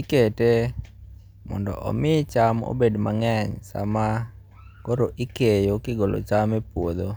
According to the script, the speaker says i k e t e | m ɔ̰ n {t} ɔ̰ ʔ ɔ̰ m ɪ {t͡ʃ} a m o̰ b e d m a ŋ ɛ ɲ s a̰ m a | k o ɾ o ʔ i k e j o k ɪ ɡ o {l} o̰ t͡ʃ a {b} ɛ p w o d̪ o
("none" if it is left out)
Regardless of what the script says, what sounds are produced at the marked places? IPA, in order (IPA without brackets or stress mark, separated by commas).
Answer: d, t͡ʃ, l, m